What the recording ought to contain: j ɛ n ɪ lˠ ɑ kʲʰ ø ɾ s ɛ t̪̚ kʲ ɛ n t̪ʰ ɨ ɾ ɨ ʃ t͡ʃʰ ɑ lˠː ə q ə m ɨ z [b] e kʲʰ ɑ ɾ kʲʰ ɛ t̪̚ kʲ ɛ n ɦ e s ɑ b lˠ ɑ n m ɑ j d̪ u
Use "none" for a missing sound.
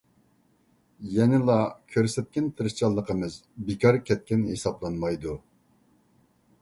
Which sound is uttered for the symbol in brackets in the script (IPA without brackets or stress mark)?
b